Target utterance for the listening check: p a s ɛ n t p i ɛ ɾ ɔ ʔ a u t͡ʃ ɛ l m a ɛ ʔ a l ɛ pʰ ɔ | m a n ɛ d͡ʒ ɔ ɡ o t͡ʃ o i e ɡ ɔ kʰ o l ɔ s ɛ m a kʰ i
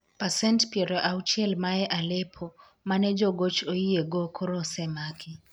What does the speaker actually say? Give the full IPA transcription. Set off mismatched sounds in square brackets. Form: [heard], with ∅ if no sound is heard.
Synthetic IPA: p a s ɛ n t p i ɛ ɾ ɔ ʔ a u t͡ʃ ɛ l m a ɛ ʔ a l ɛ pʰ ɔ | m a n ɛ d͡ʒ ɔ ɡ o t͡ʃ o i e ɡ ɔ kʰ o [ɾ] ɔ s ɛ m a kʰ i